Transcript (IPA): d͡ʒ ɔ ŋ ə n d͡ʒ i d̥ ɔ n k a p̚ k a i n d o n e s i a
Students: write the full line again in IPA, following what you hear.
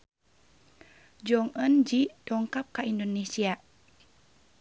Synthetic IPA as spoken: d͡ʒ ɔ ŋ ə n d͡ʒ i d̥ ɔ ŋ k a p̚ k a i n d o n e s i a